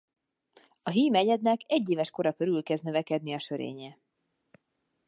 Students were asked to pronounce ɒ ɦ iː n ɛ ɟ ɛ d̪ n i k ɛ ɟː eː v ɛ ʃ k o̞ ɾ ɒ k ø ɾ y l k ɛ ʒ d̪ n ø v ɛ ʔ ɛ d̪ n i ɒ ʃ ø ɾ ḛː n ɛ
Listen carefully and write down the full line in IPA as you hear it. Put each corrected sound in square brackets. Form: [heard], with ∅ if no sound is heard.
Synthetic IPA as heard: ɒ ɦ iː [m] ɛ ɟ ɛ d̪ n [ɛ] k ɛ ɟː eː v ɛ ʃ k o̞ ɾ ɒ k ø ɾ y l k ɛ [z] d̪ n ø v ɛ [k] ɛ d̪ n i ɒ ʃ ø ɾ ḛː [ɲ] ɛ